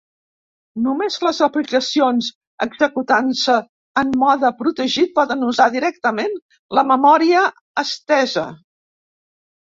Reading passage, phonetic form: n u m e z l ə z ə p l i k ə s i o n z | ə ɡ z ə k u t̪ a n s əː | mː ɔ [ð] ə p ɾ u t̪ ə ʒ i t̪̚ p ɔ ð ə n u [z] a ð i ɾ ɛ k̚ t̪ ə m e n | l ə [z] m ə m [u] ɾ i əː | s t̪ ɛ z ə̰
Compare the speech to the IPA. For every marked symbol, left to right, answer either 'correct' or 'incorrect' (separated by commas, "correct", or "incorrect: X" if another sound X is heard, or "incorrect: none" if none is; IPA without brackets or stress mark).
correct, correct, incorrect: none, incorrect: ɔ